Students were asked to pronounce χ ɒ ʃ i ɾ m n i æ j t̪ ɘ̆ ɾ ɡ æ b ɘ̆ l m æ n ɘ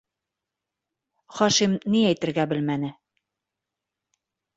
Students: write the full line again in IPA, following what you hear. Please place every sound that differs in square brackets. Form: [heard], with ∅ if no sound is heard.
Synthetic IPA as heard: χ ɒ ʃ i [∅] m n i æ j t̪ ɘ̆ ɾ ɡ æ b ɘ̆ l m æ n ɘ